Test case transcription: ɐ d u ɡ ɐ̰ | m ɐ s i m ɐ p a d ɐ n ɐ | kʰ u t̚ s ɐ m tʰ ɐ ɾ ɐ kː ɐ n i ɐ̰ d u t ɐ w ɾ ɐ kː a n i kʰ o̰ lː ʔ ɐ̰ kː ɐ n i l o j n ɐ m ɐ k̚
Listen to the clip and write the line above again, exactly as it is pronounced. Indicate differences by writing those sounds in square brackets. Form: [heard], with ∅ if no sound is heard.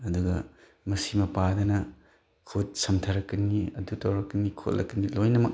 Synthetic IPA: ɐ d u ɡ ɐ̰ | m ɐ s i m ɐ p a d ɐ n ɐ | kʰ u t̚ s ɐ m tʰ ɐ ɾ ɐ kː ɐ n i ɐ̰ d u t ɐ w ɾ ɐ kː [ɐ] n i kʰ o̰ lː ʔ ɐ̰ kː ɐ n i l o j n ɐ m ɐ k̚